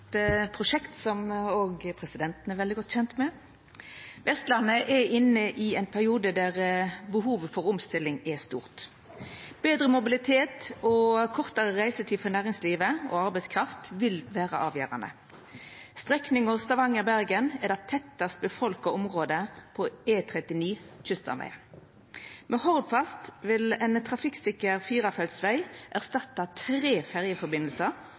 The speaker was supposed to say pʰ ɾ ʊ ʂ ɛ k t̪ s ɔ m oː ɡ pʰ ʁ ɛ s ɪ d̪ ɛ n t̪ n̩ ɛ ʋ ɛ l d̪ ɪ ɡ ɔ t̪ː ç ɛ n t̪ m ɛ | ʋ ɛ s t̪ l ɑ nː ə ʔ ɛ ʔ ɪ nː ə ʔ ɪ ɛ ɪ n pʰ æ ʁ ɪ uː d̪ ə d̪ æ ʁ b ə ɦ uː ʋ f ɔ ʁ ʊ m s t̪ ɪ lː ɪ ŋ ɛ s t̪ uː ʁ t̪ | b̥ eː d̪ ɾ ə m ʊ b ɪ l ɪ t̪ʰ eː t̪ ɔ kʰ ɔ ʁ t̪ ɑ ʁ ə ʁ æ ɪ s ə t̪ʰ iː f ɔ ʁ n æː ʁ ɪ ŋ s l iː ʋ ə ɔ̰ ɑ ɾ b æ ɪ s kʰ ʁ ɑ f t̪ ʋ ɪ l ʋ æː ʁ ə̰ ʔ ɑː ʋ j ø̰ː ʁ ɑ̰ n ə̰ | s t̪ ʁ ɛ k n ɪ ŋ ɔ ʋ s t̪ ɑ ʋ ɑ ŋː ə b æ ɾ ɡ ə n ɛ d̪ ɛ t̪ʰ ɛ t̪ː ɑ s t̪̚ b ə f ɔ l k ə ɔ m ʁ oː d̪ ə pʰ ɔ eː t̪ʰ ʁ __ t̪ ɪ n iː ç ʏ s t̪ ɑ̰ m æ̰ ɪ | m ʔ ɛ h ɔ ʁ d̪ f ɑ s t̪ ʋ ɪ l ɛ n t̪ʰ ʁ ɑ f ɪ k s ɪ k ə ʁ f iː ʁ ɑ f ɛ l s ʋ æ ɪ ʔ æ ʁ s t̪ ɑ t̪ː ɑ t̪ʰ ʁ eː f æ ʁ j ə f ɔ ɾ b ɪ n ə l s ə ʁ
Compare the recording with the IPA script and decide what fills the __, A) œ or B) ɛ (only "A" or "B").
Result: B